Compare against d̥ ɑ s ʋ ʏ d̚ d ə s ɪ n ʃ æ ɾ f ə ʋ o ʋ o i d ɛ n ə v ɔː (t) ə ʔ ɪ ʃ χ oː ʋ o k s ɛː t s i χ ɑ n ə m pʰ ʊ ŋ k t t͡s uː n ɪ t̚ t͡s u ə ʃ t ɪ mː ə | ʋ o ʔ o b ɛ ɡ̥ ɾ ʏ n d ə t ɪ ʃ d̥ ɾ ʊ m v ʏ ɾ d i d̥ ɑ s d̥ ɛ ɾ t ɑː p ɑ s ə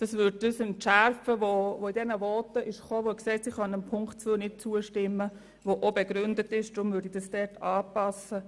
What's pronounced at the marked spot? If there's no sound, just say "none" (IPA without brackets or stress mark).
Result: t